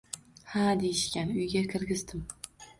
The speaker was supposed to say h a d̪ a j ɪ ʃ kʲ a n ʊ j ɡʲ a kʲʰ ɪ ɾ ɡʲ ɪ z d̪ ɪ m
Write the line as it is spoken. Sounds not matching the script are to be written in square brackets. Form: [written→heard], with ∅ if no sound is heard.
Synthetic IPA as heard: h a d̪ [a→e] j ɪ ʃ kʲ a n ʊ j ɡʲ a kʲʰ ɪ ɾ ɡʲ ɪ z d̪ ɪ m